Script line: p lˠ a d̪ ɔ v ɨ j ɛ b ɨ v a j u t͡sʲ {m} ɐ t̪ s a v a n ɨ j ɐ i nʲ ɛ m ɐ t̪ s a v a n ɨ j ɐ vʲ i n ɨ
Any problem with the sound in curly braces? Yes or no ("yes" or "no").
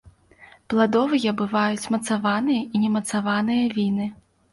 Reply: no